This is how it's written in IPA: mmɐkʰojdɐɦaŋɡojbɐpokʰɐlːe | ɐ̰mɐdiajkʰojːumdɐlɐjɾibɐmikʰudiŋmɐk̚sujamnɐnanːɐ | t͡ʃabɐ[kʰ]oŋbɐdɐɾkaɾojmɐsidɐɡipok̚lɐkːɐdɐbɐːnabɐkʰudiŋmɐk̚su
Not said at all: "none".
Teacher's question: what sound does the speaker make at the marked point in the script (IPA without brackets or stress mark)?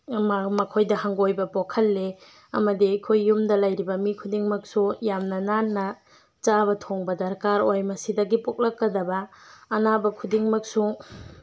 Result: tʰ